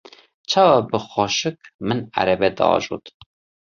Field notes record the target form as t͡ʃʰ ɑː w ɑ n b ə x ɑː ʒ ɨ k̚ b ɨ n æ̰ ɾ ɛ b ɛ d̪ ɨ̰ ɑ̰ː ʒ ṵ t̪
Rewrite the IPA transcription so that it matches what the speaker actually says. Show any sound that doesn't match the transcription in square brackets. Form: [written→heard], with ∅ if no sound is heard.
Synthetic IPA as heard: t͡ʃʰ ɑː w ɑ [n→∅] b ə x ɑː [ʒ→ʃ] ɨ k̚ [b→m] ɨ n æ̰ ɾ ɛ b ɛ d̪ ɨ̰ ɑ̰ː ʒ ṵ t̪